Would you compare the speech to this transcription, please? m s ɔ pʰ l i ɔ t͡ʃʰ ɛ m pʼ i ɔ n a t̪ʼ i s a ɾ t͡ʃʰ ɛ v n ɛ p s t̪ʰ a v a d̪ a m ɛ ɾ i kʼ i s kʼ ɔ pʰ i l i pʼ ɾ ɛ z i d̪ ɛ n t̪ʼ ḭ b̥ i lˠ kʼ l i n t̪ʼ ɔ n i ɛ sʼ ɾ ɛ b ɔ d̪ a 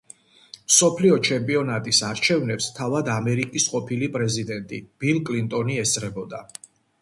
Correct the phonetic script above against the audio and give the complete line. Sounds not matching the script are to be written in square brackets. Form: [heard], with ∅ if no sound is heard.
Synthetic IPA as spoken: m s ɔ pʰ l i ɔ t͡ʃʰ ɛ m pʼ i ɔ n a t̪ʼ i s a ɾ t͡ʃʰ ɛ v n ɛ p s t̪ʰ a v a d̪ a m ɛ ɾ i kʼ i s [qʼ] ɔ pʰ i l i pʼ ɾ ɛ z i d̪ ɛ n t̪ʼ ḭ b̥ i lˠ kʼ l i n t̪ʼ ɔ n i ɛ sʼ ɾ ɛ b ɔ d̪ a